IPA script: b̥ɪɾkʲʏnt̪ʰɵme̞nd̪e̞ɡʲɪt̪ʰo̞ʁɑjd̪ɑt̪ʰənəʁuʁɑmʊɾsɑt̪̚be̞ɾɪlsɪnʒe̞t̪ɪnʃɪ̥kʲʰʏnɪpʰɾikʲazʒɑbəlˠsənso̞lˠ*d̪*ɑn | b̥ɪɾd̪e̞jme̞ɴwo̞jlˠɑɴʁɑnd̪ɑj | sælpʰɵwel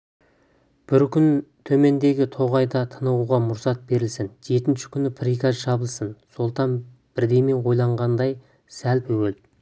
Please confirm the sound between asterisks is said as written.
no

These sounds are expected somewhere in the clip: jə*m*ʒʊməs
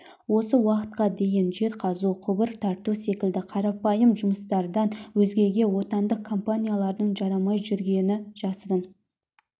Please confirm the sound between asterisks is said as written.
yes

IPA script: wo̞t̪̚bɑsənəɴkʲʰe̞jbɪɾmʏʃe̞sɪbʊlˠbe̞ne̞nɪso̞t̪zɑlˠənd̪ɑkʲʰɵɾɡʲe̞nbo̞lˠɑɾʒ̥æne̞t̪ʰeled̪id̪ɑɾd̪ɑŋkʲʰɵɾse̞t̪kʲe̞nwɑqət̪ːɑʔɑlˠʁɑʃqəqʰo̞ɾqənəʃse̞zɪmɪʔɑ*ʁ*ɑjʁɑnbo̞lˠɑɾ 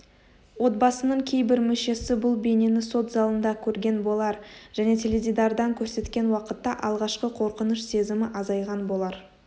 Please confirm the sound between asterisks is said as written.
no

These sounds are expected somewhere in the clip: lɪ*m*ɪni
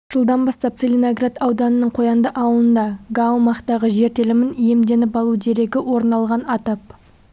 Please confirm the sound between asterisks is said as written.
yes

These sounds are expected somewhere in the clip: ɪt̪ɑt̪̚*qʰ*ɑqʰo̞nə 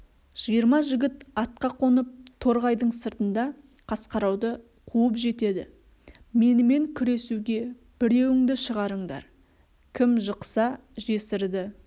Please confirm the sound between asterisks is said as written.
no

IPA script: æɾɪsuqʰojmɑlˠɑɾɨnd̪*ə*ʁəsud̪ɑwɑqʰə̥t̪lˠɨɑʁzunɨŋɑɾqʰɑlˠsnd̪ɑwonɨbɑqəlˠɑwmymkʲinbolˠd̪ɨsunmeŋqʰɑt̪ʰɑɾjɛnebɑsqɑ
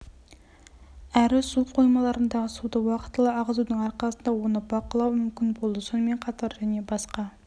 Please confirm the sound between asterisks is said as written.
no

